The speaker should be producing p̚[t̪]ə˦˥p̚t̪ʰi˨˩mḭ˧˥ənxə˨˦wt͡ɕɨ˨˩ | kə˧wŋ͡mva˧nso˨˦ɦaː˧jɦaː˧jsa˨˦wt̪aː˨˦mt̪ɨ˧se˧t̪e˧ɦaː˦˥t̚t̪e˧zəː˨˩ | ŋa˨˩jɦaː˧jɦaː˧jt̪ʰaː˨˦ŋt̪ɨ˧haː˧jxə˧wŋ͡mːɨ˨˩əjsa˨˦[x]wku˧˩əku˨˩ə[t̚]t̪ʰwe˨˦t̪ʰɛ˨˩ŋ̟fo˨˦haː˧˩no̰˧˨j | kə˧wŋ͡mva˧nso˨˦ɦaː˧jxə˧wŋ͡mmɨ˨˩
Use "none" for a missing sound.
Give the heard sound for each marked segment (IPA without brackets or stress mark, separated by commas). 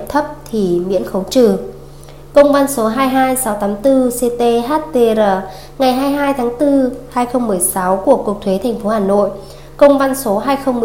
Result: t̪ʰ, none, k̚